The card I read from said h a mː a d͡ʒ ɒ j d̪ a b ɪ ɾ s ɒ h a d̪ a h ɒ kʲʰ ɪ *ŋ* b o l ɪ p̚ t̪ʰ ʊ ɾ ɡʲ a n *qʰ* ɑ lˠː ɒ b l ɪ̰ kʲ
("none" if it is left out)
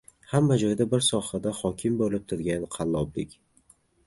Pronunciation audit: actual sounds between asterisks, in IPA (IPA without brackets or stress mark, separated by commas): m, qʰ